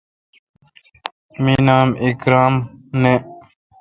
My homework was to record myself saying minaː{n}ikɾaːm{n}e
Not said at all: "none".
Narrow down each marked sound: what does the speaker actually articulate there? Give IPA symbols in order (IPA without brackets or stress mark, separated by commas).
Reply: m, n